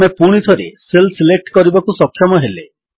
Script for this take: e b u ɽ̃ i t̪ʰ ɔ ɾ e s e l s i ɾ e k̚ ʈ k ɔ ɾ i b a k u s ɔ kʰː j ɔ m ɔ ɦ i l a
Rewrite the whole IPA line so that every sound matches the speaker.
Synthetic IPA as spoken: e p u ɽ̃ i t̪ʰ ɔ ɾ e s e l s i l e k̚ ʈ k ɔ ɾ i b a k u s ɔ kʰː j ɔ m ɔ ɦ e l e